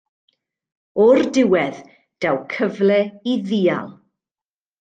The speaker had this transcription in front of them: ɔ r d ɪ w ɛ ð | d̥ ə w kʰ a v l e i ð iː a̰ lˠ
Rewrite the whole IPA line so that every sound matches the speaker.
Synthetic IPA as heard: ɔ r d ɪ w ɛ ð | d̥ a w kʰ ə v l ɛ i ð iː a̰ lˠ